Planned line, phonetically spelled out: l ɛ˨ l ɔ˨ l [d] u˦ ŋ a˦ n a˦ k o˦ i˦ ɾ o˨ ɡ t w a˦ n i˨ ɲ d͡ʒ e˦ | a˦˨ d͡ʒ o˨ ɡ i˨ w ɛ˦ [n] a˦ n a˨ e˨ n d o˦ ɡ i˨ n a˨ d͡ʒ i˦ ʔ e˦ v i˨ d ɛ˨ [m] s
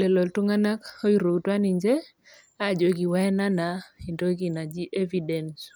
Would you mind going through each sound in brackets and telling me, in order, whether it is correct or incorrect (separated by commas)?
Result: incorrect, correct, incorrect